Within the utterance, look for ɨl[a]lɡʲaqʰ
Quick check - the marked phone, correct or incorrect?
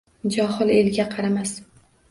incorrect